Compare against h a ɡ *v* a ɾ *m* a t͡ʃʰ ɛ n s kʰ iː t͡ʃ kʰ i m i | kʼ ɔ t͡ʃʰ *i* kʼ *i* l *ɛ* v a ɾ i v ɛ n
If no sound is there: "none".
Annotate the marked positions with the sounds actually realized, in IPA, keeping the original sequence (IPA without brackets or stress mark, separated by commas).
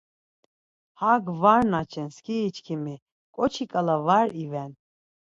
v, n, i, a, a